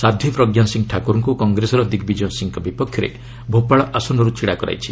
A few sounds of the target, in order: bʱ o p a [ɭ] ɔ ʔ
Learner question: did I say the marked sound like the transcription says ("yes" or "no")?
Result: yes